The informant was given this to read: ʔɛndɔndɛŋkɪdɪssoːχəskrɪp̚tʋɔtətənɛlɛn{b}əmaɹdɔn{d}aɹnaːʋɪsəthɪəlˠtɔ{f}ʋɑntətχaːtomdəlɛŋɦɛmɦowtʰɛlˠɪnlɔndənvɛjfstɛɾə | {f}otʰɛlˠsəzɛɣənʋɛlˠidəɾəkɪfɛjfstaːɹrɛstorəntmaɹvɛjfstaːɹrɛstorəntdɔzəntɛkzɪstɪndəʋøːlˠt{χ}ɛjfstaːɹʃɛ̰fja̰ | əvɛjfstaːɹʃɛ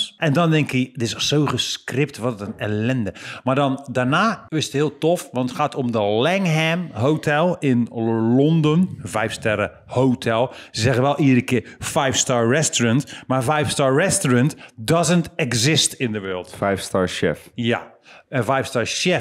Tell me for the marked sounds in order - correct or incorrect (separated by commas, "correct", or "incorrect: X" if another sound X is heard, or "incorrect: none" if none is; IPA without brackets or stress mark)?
incorrect: d, correct, correct, incorrect: h, incorrect: f